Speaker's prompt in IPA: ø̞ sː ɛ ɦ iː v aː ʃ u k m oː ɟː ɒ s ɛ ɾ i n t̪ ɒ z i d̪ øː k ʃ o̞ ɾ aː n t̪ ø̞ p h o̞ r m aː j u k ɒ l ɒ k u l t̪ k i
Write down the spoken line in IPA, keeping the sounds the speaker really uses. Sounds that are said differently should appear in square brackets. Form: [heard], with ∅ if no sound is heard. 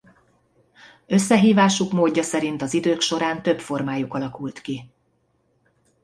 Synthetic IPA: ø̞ sː ɛ ɦ iː v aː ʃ u k m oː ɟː ɒ s ɛ ɾ i n t̪ ɒ z i d̪ øː k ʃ o̞ ɾ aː n t̪ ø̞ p [f] o̞ r m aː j u k ɒ l ɒ k u l t̪ k i